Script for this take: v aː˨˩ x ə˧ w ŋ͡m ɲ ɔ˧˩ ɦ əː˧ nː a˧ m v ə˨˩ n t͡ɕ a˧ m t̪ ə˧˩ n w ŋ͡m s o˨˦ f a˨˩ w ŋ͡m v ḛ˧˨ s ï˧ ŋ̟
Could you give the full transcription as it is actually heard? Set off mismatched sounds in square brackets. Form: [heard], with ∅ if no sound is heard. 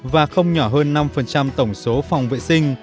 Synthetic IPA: v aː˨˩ x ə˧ w ŋ͡m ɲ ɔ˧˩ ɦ əː˧ nː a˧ m [f] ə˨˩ n t͡ɕ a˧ m t̪ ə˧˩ [∅] w ŋ͡m s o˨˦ f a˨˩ w ŋ͡m v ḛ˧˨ s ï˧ ŋ̟